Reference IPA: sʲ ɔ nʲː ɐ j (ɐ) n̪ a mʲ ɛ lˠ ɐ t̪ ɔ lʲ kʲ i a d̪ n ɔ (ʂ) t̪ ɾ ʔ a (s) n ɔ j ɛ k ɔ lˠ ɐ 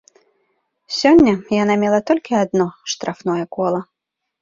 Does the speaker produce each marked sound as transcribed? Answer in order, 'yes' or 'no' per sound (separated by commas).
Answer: no, yes, no